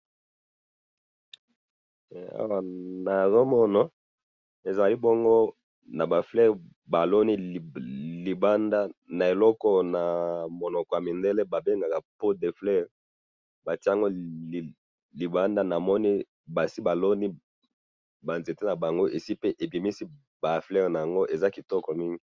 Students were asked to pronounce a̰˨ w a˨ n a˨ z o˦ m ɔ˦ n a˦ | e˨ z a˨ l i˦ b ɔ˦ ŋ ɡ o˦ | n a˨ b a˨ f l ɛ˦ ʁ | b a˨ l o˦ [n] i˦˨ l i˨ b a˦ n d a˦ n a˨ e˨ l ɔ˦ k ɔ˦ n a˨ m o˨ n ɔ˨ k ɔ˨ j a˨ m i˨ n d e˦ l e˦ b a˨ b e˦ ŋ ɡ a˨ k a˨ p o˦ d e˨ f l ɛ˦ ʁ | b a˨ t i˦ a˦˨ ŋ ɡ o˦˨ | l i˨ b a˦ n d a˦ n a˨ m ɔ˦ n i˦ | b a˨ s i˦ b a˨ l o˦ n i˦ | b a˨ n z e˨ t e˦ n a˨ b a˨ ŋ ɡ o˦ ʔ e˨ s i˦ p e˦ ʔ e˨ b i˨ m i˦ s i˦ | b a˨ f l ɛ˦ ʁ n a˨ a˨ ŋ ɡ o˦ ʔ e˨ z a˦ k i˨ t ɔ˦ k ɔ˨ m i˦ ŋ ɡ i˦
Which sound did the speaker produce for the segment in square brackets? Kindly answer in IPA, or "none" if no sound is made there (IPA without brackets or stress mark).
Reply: n